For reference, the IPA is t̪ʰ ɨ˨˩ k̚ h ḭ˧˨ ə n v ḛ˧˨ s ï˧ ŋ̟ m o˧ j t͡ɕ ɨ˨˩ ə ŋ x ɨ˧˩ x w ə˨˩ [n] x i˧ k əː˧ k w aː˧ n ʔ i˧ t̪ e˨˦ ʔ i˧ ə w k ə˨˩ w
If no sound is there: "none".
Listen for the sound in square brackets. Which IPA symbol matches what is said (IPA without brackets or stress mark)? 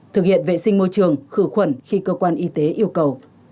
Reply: n